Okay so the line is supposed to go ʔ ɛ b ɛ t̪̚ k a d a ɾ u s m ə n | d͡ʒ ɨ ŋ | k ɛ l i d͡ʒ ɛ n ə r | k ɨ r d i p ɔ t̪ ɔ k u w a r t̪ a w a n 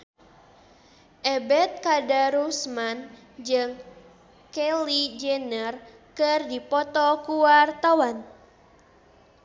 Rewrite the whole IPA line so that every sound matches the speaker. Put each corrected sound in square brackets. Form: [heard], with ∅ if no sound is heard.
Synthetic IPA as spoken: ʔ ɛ b ɛ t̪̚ k a d a ɾ u s m [a] n | d͡ʒ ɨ ŋ | k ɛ l i d͡ʒ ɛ n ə r | k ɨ r d i p ɔ t̪ ɔ k u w a r t̪ a w a n